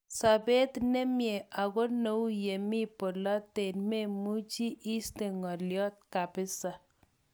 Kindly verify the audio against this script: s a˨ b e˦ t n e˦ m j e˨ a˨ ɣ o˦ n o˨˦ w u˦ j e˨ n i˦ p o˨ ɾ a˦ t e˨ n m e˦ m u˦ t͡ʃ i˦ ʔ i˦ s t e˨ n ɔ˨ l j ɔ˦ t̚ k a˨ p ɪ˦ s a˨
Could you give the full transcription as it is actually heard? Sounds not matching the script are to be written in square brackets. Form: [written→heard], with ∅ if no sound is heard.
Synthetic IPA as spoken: s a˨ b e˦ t n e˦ m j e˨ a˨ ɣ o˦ n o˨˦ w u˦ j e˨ [n→m] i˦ p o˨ [ɾ→l] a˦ t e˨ n m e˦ m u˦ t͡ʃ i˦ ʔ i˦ s t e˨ [n→ŋ] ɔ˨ l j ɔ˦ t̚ k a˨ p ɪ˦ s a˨